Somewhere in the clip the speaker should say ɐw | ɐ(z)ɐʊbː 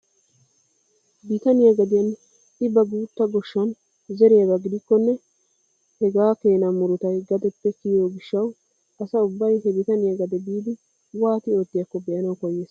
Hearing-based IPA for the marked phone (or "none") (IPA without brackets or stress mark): s